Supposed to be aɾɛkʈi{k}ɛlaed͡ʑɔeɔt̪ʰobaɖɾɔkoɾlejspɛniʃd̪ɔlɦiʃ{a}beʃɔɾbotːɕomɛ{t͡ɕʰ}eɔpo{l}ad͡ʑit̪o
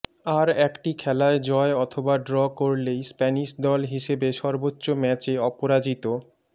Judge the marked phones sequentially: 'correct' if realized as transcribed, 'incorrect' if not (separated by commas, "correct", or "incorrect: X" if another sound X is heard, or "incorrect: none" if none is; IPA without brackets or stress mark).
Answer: incorrect: kʰ, incorrect: e, incorrect: t͡ɕ, incorrect: ɾ